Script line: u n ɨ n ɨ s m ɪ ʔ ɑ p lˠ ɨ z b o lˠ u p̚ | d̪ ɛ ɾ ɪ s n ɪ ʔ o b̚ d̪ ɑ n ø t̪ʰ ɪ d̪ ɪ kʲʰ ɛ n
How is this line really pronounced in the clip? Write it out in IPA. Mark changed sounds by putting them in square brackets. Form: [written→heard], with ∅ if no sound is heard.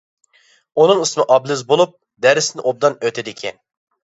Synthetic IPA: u n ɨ [n→ŋ] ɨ s m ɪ ʔ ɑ [p→b] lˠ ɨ z b o lˠ u p̚ | d̪ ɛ ɾ ɪ s n ɪ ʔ o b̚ d̪ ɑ n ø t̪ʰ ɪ d̪ ɪ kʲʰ ɛ n